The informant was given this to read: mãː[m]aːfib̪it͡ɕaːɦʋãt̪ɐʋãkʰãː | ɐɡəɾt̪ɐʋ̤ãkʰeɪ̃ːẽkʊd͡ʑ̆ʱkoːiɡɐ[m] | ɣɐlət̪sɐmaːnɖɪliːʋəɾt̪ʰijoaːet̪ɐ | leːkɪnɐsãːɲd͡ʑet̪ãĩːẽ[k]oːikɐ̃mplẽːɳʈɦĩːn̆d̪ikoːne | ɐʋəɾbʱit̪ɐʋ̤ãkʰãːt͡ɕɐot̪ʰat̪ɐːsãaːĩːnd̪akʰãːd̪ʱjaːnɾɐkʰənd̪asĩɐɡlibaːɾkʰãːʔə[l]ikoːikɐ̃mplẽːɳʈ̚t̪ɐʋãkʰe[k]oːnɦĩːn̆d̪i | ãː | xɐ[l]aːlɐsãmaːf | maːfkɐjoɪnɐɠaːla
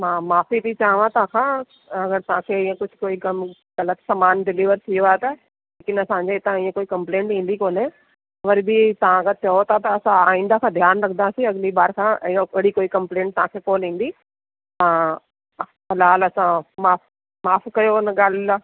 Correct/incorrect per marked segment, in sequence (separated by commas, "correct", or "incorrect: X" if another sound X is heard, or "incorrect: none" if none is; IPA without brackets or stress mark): correct, correct, correct, incorrect: ɽ, correct, correct